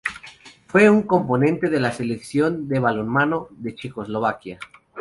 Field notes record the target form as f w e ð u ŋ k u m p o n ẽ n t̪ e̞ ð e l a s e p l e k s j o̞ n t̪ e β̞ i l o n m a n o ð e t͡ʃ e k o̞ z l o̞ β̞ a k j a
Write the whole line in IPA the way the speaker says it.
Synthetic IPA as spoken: f w e u ŋ k o m p o n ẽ n t̪ e̞ ð e l a s e l e k s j o̞ n d̪ e β̞ a l o n m a n o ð e t͡ʃ e k o̞ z l o̞ β̞ a k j a

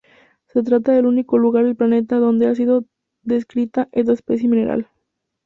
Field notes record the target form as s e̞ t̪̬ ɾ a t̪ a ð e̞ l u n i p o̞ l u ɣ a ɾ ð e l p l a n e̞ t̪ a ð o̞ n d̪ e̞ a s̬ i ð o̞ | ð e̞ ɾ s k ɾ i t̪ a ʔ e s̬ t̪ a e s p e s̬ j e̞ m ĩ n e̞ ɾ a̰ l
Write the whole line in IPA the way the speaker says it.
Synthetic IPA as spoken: s e̞ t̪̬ ɾ a t̪ a ð e̞ l u n i k o̞ l u ɣ a ɾ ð e l p l a n e̞ t̪ a ð o̞ n d̪ e̞ a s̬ i ð o̞ | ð e̞ s k ɾ i t̪ a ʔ e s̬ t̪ a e s p e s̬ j e̞ m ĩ n e̞ ɾ a̰ l

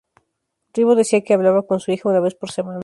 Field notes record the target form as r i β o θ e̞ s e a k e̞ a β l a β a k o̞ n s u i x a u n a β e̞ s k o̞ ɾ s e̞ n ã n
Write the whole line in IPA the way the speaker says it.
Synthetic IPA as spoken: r i β o ð e̞ s i a k e̞ a β l a β a k o̞ n s u i x a u n a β e̞ s p o̞ ɾ s e̞ m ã n

